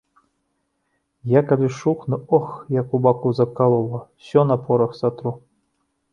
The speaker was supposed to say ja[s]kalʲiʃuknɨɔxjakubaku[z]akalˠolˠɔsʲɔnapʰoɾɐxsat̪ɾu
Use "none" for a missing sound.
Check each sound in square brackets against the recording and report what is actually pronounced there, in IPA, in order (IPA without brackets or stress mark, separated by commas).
none, z